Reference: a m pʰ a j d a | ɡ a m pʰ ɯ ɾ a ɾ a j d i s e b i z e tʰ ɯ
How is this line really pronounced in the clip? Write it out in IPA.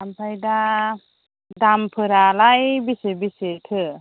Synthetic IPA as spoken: a m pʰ a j d a | d a m pʰ ɯ ɾ a l a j b i s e b i s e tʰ ɯ